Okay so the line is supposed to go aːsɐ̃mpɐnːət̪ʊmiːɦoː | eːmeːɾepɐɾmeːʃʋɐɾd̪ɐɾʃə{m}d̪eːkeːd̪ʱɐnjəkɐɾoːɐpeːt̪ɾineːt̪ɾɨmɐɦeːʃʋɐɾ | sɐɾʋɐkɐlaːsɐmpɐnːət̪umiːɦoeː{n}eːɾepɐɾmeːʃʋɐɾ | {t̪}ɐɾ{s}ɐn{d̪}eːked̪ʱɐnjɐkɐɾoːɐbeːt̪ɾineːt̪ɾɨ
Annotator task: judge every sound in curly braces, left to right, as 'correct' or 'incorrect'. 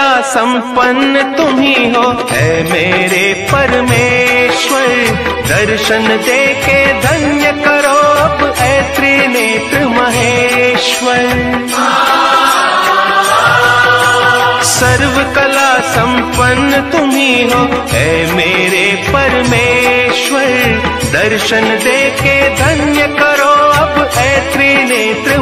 incorrect, incorrect, incorrect, incorrect, correct

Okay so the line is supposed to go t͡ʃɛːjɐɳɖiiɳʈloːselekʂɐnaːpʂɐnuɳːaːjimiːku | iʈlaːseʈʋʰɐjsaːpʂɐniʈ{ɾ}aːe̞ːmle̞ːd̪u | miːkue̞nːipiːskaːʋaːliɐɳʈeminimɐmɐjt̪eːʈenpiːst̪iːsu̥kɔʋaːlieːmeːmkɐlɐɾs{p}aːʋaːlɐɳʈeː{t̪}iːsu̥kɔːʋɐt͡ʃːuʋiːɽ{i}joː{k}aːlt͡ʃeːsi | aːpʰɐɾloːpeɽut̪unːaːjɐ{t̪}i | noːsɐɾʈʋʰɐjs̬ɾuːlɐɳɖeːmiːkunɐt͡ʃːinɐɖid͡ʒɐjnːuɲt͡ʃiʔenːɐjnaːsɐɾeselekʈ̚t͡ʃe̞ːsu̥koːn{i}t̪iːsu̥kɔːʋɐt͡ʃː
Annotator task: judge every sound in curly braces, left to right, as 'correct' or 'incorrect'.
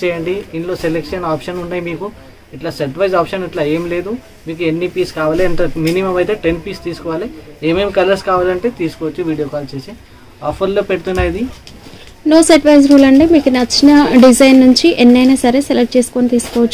incorrect, incorrect, correct, correct, correct, incorrect, correct

